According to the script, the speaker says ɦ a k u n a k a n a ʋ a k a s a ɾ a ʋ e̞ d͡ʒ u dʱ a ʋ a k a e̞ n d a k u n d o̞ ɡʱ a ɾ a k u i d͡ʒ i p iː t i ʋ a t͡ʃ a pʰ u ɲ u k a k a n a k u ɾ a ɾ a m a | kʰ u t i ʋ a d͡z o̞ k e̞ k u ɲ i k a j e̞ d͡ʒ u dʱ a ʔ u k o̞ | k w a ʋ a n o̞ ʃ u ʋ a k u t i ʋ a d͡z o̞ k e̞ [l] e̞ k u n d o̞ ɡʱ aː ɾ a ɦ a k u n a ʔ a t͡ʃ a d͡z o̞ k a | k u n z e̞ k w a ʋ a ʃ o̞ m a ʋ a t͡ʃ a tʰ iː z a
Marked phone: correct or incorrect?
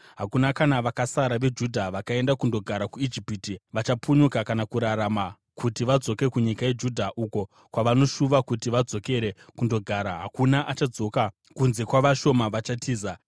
incorrect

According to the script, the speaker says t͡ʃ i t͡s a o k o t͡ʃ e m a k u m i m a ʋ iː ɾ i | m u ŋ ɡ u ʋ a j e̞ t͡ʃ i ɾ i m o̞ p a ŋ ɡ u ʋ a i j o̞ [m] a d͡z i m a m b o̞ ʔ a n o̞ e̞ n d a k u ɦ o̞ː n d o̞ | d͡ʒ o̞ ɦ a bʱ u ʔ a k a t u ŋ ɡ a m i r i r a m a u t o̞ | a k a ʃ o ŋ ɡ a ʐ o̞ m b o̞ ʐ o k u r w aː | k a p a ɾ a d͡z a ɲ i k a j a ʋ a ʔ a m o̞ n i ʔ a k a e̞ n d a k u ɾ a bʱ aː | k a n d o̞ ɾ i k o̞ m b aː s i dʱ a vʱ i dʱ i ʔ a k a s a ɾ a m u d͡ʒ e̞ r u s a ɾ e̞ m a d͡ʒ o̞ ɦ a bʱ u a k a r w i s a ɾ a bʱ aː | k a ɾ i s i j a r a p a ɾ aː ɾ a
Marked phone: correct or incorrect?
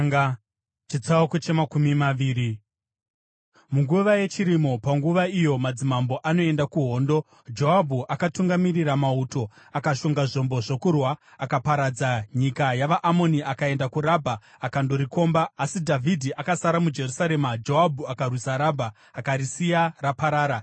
correct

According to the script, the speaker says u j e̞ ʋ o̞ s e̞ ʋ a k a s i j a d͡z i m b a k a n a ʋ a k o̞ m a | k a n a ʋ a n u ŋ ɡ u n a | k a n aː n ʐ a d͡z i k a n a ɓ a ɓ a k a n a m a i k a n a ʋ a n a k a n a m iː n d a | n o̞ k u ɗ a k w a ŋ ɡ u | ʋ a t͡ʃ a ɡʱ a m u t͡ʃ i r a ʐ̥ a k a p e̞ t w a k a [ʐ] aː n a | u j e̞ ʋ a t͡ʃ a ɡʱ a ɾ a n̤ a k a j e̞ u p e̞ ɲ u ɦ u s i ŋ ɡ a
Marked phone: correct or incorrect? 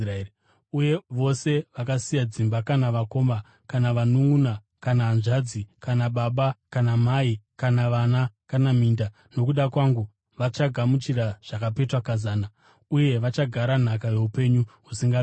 incorrect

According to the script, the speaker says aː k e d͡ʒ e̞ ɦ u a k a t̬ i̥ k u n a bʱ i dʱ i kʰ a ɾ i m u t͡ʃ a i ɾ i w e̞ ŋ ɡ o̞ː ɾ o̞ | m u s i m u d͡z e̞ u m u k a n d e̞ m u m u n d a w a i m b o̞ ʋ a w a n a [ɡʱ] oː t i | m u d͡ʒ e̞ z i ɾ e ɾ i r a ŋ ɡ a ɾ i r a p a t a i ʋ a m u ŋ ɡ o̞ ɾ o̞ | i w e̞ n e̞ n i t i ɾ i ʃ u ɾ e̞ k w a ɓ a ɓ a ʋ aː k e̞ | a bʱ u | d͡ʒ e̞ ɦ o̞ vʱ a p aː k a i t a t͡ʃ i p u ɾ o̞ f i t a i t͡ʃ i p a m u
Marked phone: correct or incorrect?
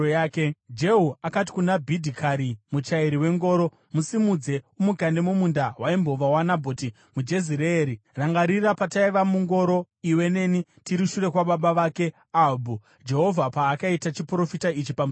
incorrect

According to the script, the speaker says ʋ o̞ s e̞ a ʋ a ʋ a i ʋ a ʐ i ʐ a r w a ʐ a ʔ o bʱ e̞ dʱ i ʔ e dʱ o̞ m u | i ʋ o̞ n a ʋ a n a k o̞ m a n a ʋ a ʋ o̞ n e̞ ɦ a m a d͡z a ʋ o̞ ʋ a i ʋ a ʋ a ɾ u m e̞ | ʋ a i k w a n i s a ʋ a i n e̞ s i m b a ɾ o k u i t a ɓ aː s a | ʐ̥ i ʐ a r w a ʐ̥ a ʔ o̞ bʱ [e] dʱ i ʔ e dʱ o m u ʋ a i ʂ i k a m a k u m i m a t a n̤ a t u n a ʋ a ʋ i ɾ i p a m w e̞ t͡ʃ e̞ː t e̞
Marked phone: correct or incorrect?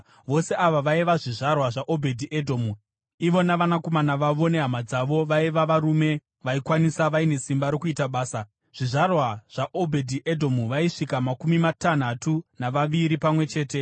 correct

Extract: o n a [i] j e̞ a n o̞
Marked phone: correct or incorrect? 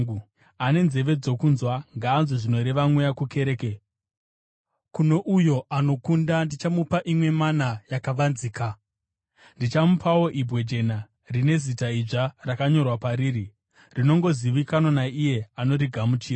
correct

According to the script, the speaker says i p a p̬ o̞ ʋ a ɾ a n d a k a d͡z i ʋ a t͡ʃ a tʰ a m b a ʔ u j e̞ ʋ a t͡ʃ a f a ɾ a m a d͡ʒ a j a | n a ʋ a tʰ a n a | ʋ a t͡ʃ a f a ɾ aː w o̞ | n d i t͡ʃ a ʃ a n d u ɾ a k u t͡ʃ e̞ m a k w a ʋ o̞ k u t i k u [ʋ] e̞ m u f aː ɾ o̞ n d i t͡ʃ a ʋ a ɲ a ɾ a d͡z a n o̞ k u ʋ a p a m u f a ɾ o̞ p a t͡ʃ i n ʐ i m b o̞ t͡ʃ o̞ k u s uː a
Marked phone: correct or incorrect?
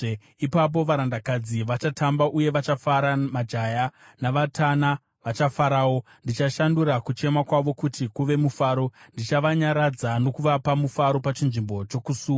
correct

